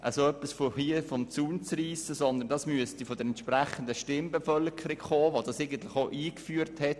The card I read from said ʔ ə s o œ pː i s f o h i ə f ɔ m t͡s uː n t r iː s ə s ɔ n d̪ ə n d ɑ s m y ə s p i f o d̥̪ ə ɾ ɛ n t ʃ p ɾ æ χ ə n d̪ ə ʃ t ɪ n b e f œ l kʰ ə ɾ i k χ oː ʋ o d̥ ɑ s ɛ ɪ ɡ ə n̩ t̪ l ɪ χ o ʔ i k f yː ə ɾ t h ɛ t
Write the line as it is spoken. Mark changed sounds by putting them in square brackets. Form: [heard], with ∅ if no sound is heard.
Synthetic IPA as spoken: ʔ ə s o œ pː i s f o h i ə f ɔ m t͡s uː n [t͡s] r iː s ə s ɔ n d̪ ə n d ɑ s m y ə s [t] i f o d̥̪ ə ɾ ɛ n t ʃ p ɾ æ χ ə n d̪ ə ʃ t ɪ [m] b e f œ l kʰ ə ɾ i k χ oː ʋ o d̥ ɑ s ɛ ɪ ɡ ə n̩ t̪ l ɪ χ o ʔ [iː] k f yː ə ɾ t h ɛ t